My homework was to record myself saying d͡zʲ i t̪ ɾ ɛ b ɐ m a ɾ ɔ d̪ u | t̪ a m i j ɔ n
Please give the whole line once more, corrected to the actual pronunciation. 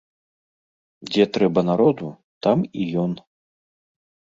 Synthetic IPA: d͡zʲ ɛ t̪ ɾ ɛ b ɐ n a ɾ ɔ d̪ u | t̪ a m i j ɔ n